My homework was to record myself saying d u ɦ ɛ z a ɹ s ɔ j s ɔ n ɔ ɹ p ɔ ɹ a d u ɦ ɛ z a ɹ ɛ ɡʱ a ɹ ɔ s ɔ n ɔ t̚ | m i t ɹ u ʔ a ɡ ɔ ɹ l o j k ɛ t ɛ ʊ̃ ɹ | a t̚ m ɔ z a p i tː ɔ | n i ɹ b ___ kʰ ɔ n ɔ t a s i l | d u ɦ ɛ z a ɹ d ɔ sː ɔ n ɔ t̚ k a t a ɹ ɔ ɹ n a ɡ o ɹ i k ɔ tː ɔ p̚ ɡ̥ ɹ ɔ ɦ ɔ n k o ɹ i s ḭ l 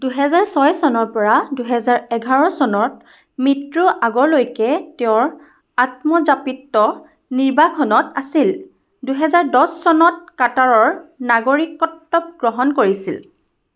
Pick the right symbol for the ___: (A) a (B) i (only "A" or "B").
A